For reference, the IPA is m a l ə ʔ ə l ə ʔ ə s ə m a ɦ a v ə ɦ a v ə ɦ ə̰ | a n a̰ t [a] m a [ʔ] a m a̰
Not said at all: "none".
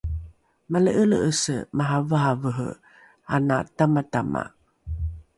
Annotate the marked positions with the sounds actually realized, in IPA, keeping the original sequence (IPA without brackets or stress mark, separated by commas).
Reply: a, t